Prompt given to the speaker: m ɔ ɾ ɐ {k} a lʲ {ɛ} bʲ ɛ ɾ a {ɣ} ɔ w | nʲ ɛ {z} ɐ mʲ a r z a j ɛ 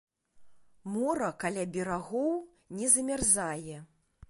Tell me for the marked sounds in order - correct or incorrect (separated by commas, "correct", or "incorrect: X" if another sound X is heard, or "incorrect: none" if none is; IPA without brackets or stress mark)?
correct, incorrect: a, correct, correct